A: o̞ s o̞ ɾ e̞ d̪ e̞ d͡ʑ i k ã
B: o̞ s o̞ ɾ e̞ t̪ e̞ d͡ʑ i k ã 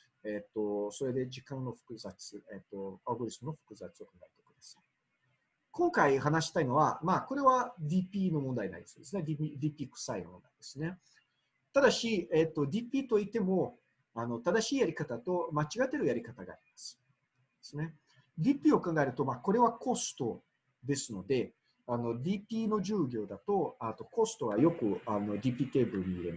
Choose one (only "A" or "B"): A